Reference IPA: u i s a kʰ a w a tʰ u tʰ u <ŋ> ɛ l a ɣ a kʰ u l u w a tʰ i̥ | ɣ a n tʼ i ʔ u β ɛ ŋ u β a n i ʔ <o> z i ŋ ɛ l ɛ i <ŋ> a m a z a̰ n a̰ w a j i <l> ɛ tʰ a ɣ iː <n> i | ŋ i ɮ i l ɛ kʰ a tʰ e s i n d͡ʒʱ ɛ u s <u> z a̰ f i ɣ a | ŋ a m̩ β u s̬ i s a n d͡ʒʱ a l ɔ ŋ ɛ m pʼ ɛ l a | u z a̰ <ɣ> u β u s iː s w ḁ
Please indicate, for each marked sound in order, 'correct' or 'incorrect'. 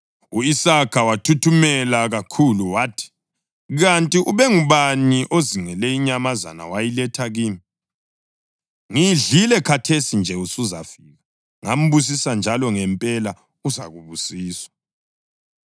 incorrect: m, correct, incorrect: ɲ, correct, incorrect: m, correct, correct

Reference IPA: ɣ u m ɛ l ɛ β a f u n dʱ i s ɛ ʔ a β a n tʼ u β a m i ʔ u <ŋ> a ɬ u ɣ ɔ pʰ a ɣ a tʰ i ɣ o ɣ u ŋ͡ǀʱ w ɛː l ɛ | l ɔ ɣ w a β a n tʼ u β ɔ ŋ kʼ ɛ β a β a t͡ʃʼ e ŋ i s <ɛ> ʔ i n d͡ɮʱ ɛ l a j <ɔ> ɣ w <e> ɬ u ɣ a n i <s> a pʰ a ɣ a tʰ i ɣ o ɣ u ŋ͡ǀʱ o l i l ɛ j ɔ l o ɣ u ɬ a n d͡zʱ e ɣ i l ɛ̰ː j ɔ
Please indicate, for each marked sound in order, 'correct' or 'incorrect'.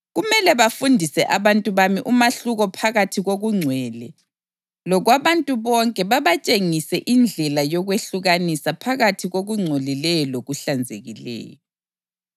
incorrect: m, correct, correct, correct, correct

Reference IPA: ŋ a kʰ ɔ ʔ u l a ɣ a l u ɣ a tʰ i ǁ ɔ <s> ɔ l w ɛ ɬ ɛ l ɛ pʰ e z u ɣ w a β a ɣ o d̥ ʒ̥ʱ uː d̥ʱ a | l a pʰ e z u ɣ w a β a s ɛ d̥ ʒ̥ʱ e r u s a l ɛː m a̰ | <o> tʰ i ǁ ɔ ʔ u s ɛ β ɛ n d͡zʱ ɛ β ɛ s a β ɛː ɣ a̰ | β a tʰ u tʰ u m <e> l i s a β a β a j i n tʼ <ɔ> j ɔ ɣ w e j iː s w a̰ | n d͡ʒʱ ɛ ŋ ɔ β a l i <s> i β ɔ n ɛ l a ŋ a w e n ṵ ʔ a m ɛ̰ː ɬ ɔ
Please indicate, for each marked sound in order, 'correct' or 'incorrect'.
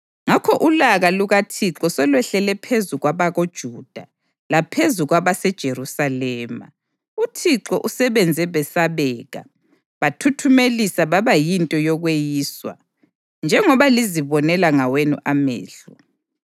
correct, incorrect: u, correct, correct, incorrect: z

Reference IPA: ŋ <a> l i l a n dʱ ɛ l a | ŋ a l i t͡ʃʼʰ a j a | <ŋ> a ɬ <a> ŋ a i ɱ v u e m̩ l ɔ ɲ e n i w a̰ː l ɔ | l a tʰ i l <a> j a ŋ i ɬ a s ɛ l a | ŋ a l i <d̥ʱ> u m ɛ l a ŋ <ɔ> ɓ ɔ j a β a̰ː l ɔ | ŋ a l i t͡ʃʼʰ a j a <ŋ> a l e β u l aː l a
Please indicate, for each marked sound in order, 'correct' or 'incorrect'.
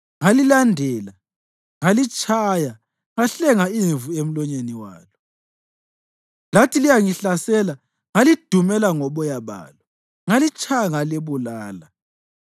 correct, correct, incorrect: ɛ, incorrect: i, correct, correct, correct

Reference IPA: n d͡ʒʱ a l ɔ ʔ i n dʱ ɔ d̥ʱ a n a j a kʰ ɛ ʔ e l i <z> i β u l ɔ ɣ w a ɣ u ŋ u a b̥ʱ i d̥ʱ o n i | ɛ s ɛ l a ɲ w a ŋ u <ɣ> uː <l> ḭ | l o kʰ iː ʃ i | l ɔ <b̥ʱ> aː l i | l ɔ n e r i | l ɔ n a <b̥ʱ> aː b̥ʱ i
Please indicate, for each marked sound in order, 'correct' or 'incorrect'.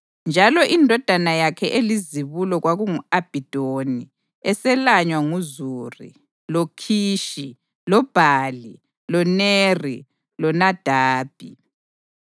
correct, incorrect: z, incorrect: r, correct, incorrect: d̥ʱ

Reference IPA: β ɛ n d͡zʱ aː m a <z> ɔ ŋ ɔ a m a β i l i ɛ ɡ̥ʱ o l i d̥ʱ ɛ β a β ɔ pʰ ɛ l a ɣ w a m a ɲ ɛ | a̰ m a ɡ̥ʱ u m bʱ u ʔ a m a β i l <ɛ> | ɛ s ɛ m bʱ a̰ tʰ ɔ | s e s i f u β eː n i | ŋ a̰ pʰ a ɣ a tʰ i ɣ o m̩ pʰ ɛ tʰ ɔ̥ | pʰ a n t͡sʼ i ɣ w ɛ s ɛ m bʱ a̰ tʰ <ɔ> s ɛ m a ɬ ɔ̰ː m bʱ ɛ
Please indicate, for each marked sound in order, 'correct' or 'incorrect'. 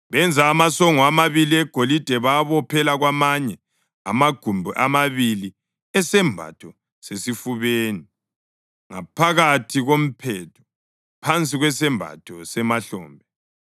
incorrect: s, incorrect: i, correct

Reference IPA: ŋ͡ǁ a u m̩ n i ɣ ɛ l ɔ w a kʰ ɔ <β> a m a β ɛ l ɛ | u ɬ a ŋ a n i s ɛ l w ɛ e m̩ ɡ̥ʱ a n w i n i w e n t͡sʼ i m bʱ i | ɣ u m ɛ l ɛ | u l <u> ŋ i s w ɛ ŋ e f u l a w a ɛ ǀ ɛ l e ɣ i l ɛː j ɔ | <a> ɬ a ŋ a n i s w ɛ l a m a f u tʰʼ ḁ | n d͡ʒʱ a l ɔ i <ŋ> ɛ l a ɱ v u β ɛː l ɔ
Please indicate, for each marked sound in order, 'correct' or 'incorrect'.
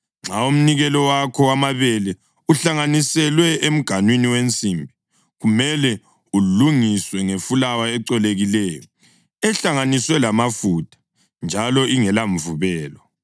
incorrect: w, correct, incorrect: ɛ, correct

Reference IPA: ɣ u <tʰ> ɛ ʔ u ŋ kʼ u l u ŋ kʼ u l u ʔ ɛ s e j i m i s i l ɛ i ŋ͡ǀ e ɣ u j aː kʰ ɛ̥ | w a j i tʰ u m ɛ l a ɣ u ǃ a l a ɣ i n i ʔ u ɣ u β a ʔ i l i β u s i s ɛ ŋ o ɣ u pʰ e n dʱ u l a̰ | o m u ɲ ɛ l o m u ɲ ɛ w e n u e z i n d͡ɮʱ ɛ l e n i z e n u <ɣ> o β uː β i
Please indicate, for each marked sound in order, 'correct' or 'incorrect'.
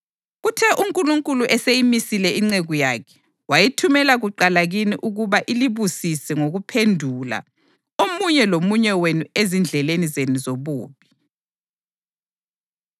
correct, incorrect: z

